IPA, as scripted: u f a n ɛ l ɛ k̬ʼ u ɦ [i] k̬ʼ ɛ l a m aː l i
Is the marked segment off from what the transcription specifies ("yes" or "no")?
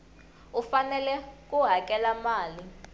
yes